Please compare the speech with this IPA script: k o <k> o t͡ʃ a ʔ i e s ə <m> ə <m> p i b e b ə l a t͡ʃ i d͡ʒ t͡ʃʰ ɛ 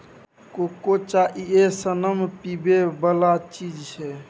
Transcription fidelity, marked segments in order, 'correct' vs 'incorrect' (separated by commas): correct, incorrect, correct